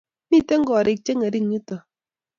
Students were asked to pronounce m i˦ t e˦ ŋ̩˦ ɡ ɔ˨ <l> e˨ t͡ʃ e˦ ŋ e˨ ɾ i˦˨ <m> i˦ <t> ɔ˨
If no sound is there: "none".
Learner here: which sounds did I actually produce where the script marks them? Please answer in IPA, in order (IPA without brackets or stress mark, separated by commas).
ɾ, ŋ, t